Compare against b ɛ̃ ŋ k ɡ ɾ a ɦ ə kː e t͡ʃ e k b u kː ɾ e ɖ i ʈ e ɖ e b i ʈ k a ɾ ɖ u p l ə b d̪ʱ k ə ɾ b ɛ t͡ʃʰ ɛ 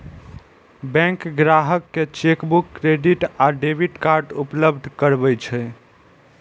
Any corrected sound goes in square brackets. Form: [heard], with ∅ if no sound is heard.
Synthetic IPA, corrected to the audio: b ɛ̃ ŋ k ɡ ɾ a ɦ ə kː e t͡ʃ e k b u kː ɾ e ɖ i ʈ [a] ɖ e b i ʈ k a ɾ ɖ u p l ə b d̪ʱ k ə ɾ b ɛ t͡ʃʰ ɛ